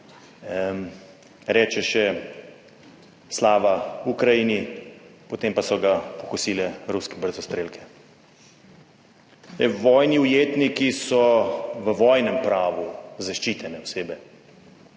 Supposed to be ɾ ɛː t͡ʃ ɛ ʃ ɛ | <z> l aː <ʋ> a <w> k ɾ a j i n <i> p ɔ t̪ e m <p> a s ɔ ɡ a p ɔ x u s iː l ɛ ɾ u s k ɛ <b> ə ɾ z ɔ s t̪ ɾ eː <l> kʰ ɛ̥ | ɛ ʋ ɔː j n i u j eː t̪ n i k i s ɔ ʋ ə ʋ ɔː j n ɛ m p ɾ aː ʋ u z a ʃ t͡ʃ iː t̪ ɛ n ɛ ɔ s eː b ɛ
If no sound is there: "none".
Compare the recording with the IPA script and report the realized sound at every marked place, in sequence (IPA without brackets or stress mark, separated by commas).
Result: s, ʋ, u, i, p, b, l